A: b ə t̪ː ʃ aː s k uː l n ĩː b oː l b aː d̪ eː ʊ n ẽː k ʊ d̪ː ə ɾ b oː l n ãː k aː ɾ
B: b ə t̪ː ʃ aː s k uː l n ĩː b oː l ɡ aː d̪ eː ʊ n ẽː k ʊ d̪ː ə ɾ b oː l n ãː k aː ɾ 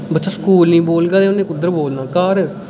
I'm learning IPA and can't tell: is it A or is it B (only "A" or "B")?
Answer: B